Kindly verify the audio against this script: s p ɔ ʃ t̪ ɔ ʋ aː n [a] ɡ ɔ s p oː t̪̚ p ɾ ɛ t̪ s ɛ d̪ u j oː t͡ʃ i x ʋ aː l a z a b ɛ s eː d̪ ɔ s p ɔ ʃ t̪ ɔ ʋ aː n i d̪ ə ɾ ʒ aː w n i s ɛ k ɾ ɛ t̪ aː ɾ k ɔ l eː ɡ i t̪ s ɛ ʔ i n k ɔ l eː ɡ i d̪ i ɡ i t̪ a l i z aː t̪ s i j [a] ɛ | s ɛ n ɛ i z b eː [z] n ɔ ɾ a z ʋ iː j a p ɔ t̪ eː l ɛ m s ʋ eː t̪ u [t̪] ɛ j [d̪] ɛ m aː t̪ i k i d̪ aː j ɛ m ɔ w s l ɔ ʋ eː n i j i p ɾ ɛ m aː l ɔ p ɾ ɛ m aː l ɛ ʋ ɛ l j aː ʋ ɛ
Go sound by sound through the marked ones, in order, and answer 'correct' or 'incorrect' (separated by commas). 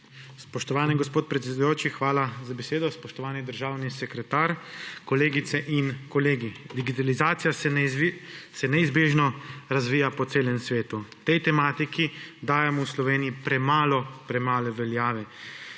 incorrect, correct, incorrect, correct, incorrect